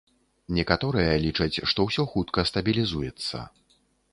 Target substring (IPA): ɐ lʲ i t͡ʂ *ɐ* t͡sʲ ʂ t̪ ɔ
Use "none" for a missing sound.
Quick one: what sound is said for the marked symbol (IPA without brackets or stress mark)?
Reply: ɐ